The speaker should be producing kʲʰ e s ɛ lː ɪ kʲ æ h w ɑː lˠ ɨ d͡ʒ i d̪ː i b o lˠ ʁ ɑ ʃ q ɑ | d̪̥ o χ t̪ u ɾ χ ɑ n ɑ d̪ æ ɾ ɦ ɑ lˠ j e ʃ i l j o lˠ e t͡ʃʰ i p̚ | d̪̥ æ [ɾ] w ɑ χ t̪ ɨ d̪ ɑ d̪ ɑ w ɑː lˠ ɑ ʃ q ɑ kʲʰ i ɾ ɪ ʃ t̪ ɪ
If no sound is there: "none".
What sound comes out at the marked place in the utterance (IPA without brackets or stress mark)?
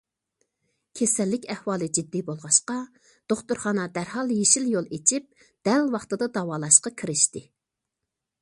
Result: l